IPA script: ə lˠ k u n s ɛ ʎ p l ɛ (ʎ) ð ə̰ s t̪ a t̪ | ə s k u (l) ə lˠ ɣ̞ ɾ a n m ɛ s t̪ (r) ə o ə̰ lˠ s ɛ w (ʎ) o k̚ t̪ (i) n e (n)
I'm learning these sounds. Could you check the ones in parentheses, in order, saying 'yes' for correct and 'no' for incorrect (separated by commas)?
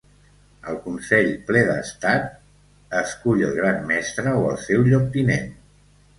no, no, no, yes, yes, yes